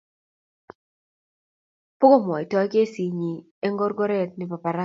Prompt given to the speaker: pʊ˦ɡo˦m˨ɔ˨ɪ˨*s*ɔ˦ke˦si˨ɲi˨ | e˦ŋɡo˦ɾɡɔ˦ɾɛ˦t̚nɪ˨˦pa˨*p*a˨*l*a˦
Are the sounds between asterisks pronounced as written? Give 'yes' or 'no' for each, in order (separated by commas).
no, yes, no